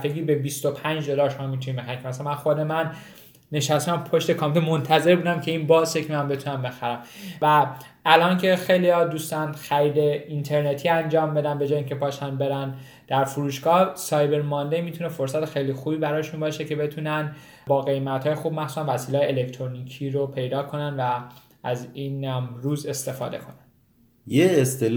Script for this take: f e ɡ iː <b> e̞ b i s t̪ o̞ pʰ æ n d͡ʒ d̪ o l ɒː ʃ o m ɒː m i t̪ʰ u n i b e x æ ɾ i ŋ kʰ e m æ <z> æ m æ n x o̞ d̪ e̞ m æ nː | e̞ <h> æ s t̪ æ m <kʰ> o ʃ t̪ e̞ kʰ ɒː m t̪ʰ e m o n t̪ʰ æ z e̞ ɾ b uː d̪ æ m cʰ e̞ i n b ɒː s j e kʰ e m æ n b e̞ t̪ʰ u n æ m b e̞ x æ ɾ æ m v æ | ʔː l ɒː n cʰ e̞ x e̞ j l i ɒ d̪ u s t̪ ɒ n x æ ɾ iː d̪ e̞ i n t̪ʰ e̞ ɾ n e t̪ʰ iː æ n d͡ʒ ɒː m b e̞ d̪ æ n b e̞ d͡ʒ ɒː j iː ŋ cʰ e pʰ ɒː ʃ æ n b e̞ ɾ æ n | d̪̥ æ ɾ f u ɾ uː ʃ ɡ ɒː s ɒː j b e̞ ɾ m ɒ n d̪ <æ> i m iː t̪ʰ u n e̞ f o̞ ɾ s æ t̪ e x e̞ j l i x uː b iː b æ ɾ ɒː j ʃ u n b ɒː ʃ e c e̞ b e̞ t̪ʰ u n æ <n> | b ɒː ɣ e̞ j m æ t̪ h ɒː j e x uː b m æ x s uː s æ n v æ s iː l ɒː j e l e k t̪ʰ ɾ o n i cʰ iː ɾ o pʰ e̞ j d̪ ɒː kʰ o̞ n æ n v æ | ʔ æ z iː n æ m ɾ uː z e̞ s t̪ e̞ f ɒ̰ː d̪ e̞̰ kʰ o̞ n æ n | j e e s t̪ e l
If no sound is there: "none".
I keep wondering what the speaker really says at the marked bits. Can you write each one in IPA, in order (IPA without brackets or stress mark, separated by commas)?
b, s, ʃ, pʰ, e, n